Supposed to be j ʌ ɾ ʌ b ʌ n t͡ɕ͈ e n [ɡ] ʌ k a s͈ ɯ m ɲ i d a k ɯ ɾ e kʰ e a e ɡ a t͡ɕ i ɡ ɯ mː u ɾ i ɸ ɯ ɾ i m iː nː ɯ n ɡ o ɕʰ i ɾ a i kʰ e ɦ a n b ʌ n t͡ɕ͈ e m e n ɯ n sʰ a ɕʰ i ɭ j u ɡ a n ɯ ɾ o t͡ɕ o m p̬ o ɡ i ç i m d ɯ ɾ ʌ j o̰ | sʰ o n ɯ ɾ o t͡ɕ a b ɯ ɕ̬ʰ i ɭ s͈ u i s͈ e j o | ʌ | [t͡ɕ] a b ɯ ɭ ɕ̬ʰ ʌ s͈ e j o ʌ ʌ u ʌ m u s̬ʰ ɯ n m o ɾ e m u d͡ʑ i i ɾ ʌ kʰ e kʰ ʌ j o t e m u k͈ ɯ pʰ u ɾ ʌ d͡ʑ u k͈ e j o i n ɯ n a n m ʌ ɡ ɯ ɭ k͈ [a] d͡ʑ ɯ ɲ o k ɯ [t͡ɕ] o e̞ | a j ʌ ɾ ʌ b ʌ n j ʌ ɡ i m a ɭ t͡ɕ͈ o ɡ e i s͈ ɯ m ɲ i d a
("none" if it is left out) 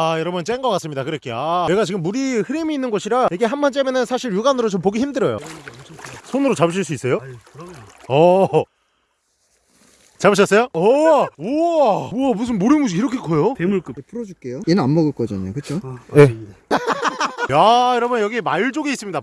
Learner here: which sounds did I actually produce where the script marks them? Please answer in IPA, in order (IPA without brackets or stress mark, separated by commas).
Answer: ɡ, t͡ɕ, ʌ, t͡ɕʰ